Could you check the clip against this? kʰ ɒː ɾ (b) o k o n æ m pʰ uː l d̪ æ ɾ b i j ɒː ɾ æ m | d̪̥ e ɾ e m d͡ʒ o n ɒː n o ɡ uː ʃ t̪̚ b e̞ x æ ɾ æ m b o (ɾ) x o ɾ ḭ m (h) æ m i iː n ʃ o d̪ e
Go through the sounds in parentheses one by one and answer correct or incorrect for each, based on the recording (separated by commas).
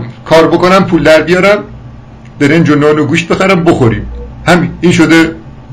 correct, incorrect, correct